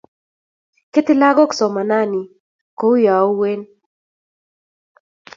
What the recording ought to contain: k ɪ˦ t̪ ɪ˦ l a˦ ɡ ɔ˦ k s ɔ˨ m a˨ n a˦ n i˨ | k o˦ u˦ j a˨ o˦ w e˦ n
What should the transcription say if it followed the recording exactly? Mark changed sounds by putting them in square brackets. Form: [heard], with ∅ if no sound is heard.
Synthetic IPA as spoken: k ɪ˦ t̪ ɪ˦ l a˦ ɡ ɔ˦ k s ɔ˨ m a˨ n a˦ n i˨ | k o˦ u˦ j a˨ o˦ w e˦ n